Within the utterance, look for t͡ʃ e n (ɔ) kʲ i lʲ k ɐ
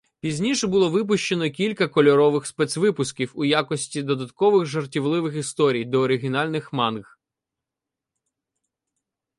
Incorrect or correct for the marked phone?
correct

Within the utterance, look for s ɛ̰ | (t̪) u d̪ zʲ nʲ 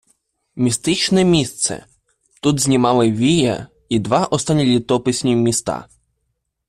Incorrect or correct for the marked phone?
correct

